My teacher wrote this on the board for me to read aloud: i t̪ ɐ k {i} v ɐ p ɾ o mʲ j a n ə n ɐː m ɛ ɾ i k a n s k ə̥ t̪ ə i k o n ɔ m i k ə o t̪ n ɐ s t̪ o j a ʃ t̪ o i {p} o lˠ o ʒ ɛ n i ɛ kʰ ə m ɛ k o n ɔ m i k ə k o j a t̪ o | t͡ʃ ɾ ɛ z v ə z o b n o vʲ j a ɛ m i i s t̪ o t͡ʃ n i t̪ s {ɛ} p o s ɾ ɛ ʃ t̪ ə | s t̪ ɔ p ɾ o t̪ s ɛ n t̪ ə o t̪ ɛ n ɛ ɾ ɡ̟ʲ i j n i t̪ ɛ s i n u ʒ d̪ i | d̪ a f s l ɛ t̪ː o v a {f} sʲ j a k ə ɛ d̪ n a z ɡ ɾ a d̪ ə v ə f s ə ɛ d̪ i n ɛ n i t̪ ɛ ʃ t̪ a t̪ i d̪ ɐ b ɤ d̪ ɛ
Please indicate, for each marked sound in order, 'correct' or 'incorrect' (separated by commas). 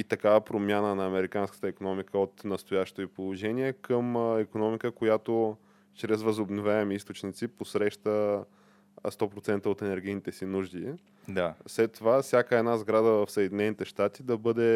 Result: incorrect, correct, incorrect, correct